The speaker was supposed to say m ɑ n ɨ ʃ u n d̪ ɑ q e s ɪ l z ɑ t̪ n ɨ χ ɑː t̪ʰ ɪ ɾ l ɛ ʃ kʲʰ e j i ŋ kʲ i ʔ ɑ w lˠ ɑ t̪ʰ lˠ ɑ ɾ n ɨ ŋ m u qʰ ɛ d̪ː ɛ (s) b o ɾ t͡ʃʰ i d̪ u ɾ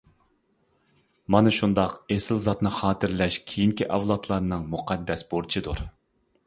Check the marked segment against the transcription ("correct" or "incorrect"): correct